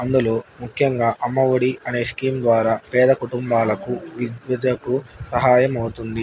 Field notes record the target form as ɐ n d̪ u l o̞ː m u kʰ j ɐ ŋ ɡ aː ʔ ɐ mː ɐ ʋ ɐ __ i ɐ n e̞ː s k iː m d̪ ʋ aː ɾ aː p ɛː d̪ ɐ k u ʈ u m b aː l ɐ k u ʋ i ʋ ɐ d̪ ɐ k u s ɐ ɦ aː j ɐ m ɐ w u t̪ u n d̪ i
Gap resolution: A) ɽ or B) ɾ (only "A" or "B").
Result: A